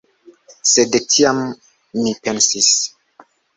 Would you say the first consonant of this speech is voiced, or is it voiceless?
voiceless